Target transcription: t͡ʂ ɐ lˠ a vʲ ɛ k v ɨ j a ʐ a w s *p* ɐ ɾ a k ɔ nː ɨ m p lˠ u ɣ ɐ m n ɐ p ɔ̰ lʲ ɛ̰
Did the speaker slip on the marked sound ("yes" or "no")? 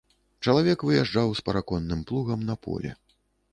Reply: no